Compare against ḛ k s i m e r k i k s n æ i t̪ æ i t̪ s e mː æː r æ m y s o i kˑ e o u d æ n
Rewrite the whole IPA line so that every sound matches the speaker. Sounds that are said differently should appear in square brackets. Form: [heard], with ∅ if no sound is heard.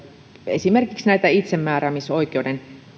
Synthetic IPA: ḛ [∅] s i m e r k i k s n æ i t̪ æ i t̪ s e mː æː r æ m [i] s o i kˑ e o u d [e] n